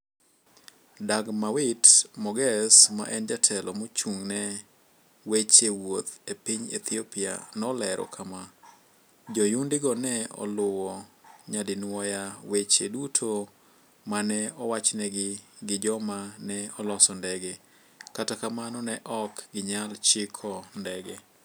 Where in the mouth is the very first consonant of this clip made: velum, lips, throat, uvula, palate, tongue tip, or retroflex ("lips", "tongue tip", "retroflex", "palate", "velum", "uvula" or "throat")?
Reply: tongue tip